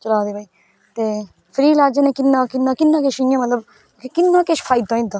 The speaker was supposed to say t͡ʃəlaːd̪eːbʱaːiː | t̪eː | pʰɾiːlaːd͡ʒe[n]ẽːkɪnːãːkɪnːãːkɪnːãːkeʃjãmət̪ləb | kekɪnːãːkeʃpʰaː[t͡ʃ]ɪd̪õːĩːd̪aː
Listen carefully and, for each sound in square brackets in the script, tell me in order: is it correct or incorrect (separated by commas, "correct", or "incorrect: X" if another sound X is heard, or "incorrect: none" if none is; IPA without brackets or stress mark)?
correct, incorrect: none